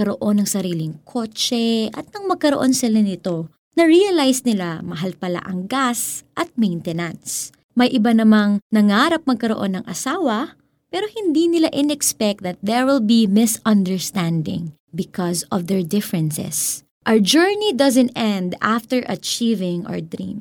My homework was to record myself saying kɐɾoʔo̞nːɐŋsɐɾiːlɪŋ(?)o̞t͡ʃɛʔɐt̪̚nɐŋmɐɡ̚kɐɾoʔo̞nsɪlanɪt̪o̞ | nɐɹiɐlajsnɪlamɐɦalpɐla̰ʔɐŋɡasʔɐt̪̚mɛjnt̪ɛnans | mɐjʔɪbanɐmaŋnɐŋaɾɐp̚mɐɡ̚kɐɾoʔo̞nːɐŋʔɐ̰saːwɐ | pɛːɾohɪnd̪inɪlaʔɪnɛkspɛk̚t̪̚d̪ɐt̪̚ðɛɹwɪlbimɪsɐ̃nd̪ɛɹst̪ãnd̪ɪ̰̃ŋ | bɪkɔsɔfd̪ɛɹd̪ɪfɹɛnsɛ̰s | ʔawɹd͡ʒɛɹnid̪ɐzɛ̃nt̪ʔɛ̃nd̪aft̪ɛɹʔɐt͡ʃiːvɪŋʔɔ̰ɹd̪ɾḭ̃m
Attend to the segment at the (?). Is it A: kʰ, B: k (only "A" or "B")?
A